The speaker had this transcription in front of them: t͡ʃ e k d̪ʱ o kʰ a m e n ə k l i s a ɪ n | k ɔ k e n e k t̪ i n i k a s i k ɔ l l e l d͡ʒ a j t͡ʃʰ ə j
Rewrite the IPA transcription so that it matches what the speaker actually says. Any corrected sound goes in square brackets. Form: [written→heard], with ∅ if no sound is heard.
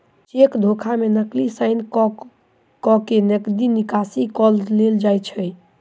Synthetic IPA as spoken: t͡ʃ e k d̪ʱ o kʰ a m e n ə k l i s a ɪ n | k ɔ k e n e k [t̪→d̪] i n i k a s i k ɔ l l e l d͡ʒ a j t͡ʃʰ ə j